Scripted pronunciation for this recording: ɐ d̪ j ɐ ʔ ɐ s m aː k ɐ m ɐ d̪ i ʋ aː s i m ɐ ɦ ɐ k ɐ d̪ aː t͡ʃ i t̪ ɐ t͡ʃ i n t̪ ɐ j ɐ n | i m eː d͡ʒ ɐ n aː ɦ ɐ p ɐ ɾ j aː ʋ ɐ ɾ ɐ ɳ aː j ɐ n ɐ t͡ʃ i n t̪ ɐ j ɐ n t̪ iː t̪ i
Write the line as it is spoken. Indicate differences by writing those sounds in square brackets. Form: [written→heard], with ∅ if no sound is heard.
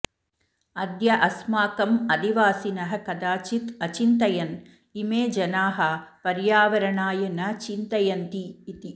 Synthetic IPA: ɐ d̪ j ɐ ʔ ɐ s m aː k ɐ m ɐ d̪ i ʋ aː s i [m→n] ɐ ɦ ɐ k ɐ d̪ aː t͡ʃ i t̪ ɐ t͡ʃ i n t̪ ɐ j ɐ n | i m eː d͡ʒ ɐ n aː ɦ ɐ p ɐ ɾ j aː ʋ ɐ ɾ ɐ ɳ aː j ɐ n ɐ t͡ʃ i n t̪ ɐ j ɐ n t̪ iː t̪ i